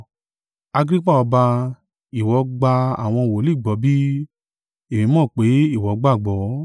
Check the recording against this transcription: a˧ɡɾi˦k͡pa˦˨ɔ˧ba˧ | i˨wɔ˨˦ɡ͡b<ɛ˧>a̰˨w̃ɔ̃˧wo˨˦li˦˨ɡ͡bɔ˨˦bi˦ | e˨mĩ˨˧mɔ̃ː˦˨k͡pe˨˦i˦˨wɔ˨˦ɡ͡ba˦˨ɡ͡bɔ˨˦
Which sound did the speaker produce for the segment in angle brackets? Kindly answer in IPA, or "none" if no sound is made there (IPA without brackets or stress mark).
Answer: a˧